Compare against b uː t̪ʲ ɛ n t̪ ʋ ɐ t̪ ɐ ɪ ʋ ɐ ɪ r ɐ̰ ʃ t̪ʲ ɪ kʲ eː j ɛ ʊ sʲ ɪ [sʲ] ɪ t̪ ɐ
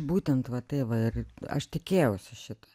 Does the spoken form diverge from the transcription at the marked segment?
yes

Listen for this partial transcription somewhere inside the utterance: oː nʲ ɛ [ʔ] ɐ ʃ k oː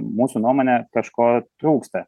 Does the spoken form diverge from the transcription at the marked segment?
yes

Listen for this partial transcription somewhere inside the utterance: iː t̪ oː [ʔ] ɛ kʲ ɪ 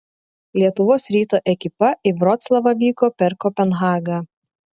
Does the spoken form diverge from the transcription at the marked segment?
no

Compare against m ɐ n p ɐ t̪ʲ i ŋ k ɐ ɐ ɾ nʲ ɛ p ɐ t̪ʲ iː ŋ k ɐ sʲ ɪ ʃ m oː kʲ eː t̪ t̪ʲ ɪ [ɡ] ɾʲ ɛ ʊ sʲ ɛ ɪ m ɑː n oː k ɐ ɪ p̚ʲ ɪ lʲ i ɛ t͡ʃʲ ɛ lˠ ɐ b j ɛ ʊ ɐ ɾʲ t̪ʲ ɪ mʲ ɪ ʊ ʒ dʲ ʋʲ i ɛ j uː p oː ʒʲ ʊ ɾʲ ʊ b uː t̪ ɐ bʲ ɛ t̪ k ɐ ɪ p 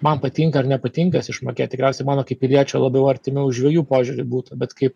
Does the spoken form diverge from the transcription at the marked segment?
yes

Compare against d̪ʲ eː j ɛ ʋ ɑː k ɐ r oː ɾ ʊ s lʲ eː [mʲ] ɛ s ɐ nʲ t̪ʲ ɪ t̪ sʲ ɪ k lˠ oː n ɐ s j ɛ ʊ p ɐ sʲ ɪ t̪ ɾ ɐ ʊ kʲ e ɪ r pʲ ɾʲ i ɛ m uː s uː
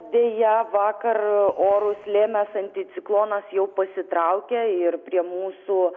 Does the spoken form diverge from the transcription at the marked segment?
no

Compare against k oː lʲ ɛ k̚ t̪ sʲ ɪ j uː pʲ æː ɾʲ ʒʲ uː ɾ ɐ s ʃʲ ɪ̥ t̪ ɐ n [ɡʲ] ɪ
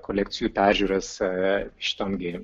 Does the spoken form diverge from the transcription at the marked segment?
no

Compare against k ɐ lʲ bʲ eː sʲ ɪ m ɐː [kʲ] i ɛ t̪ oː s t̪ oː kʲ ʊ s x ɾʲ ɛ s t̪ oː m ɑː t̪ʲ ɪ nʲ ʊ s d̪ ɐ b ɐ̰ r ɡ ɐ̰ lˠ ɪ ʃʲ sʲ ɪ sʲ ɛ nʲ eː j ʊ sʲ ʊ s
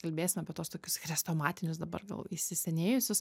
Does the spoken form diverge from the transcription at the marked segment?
yes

